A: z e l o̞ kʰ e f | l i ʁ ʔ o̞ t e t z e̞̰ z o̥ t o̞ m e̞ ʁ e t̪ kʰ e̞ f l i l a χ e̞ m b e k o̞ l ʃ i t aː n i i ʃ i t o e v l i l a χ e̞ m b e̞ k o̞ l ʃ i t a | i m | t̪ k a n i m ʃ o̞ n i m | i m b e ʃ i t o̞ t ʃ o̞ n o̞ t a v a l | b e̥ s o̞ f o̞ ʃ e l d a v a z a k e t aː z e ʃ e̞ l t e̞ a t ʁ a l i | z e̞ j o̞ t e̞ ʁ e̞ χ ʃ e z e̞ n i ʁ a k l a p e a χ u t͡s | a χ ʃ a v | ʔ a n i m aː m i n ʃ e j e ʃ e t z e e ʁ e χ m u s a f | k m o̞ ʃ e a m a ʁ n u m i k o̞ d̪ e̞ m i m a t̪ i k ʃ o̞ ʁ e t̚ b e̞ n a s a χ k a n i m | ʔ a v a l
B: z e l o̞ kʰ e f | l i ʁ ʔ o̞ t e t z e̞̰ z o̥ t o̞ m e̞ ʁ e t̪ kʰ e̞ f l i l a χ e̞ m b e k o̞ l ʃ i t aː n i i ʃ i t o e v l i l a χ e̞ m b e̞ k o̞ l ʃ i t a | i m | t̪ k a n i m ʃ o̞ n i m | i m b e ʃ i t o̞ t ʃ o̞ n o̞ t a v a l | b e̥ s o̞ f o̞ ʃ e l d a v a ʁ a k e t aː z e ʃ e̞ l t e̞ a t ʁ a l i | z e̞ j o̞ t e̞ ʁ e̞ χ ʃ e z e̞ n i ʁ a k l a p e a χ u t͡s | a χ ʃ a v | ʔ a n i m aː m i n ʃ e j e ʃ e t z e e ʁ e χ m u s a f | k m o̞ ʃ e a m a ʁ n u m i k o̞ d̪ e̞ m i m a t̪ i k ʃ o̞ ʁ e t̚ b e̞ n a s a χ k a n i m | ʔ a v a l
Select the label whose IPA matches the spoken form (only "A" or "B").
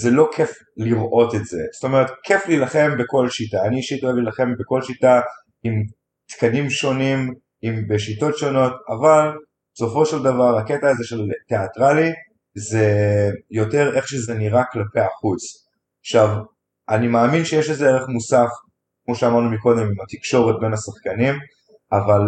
B